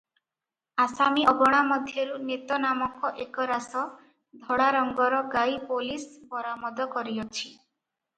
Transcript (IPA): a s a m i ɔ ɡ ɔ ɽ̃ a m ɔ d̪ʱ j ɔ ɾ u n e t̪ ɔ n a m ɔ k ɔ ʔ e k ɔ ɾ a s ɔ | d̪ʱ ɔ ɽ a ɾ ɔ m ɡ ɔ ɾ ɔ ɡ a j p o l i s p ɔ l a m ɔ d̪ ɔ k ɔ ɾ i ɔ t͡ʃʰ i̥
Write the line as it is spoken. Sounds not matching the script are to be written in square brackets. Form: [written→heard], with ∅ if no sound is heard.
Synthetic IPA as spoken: a s a m i ɔ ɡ ɔ ɽ̃ a m ɔ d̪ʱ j ɔ ɾ u n e t̪ ɔ n a m ɔ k ɔ ʔ e k ɔ ɾ a s ɔ | d̪ʱ ɔ ɽ a ɾ ɔ [m→ŋ] ɡ ɔ ɾ ɔ ɡ a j p o l i s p ɔ [l→ɾ] a m ɔ d̪ ɔ k ɔ ɾ i ɔ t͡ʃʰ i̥